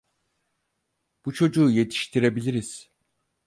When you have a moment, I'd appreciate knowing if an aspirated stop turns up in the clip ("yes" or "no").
yes